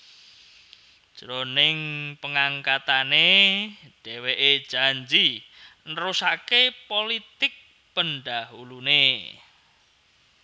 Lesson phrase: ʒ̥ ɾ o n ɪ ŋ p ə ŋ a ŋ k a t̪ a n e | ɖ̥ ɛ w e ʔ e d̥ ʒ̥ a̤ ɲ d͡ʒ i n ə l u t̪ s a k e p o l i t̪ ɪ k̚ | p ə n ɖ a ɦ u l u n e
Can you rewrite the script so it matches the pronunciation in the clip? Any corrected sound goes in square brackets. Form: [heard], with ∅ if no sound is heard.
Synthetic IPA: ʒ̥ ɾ o n ɪ ŋ p ə ŋ a ŋ k a t̪ a n e | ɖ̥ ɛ w e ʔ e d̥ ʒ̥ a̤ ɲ d͡ʒ i n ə [ɾ] u [∅] s a k e p o l i t̪ ɪ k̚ | p ə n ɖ a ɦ u l u n e